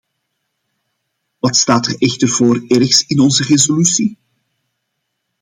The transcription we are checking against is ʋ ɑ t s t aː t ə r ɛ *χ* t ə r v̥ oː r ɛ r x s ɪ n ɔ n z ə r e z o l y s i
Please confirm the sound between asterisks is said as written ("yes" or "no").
no